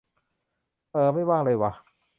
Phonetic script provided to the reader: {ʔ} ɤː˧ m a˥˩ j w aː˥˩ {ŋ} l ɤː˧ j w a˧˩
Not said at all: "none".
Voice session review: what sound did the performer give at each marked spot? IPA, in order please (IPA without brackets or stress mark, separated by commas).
ʔ, ŋ